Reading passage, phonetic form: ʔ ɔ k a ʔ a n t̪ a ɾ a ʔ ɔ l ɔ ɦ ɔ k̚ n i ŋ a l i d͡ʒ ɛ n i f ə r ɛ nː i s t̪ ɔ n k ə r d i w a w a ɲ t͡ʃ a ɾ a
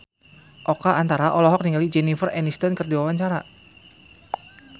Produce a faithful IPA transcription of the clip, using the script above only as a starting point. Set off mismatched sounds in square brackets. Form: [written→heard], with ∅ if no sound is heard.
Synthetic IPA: ʔ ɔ k a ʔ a n t̪ a ɾ a ʔ ɔ l ɔ ɦ ɔ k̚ n i ŋ a l i d͡ʒ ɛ n i f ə r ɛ [nː→n] i s t̪ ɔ n k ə r d i w a w a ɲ t͡ʃ a ɾ a